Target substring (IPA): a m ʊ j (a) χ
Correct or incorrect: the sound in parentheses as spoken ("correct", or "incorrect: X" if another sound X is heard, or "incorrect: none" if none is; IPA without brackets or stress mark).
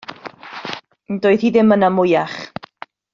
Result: correct